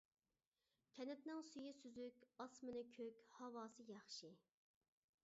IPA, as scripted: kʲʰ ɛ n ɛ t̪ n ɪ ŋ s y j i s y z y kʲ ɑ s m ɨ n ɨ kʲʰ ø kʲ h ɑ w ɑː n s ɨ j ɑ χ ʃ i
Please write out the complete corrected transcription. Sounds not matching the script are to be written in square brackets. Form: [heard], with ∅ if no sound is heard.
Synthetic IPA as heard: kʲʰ ɛ n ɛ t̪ n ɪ ŋ s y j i s y z y kʲ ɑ s m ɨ n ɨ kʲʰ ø kʲ h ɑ w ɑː [∅] s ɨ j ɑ χ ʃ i